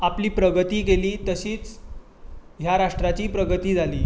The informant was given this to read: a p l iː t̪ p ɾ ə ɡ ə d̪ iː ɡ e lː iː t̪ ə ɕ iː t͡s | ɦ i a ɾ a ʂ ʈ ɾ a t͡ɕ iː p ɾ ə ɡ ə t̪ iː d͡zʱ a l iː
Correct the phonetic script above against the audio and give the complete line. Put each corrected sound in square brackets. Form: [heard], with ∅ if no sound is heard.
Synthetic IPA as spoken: a p l iː [∅] p ɾ ə ɡ ə [t̪] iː ɡ e [l] iː t̪ ə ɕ iː t͡s | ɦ [j] a ɾ a ʂ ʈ ɾ a t͡ɕ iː p ɾ ə ɡ ə t̪ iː d͡zʱ a l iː